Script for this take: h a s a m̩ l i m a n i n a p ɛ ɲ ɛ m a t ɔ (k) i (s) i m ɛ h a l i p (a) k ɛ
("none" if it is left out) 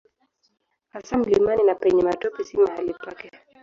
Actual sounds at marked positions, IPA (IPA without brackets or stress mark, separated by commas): p, s, a